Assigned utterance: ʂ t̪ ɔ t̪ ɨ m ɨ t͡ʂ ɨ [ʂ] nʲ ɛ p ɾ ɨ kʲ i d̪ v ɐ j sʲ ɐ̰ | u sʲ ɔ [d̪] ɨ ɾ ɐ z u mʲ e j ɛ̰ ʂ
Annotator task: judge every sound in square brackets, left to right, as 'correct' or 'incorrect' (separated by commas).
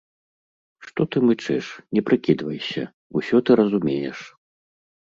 correct, incorrect